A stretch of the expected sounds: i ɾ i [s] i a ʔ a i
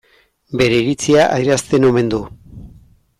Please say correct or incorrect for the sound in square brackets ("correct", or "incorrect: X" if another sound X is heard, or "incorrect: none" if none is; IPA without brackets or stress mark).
incorrect: t͡s